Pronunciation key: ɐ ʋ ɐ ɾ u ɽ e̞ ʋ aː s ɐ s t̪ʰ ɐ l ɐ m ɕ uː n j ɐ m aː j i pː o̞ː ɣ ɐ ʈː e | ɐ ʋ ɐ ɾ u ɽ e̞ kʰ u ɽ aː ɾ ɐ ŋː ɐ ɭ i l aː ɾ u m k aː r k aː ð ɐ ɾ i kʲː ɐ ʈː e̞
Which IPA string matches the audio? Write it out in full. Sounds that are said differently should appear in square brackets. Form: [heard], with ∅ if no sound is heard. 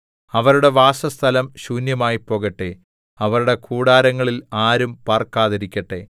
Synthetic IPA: ɐ ʋ ɐ ɾ u ɽ e̞ ʋ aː s ɐ s t̪ʰ ɐ l ɐ m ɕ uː n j ɐ m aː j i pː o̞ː ɣ ɐ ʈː e | ɐ ʋ ɐ ɾ u ɽ e̞ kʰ [uː] ɽ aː ɾ ɐ ŋː ɐ ɭ i l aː ɾ u m [p] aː r k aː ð ɐ ɾ i kʲː ɐ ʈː e̞